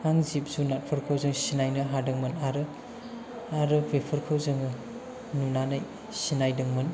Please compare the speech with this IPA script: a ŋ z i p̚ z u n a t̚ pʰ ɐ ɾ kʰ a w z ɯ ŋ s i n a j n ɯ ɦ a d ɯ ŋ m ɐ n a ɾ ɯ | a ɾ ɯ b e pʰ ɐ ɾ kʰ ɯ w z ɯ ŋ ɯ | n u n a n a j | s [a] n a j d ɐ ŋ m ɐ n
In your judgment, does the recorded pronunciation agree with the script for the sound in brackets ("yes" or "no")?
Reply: no